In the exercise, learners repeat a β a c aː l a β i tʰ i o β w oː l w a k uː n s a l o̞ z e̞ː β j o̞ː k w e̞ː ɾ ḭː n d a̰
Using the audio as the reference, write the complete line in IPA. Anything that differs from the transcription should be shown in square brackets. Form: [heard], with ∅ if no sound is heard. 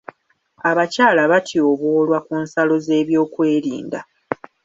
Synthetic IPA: a β a c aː l a β [a] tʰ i o β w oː l w a k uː n s a l o̞ z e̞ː β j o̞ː k w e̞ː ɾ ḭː n d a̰